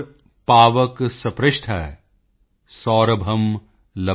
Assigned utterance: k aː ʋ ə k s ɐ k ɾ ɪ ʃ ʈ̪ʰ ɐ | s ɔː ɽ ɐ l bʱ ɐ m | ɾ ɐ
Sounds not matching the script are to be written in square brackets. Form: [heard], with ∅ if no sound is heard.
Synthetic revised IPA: [p] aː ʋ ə k s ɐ [p] ɾ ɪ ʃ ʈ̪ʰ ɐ | s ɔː [ɾ] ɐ [∅] bʱ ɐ m | [l] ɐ